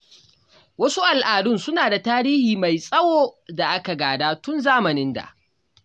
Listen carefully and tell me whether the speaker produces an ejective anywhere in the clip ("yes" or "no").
yes